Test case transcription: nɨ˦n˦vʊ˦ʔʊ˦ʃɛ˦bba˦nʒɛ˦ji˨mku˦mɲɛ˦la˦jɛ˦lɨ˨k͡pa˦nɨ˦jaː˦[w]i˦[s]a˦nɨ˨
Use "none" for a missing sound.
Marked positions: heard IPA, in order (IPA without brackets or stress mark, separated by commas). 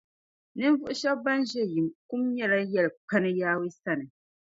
w, s